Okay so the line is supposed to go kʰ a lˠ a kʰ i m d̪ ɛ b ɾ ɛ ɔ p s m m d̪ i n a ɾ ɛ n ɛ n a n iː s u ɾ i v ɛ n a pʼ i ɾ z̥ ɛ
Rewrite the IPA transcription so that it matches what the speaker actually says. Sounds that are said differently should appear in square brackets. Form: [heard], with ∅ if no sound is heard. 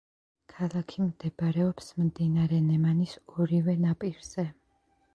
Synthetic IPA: kʰ a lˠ a kʰ i m d̪ ɛ b ɾ ɛ ɔ p s m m d̪ i n a ɾ ɛ n ɛ [m] a n [i] s [ɔ] ɾ i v ɛ n a pʼ i ɾ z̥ ɛ